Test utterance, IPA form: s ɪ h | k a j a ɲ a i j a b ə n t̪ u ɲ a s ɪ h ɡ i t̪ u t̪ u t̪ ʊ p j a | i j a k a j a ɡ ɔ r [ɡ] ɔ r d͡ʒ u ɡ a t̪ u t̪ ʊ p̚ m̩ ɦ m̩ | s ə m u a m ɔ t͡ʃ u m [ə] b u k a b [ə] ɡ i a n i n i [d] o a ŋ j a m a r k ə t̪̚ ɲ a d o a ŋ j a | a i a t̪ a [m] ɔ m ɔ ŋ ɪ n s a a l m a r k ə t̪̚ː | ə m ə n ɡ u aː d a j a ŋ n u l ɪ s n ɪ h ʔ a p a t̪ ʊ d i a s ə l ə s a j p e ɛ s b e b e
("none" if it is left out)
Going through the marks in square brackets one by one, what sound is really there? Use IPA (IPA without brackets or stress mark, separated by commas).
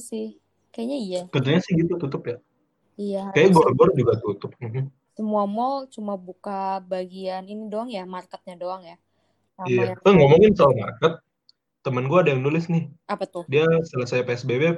ɡ, a, a, d, ŋ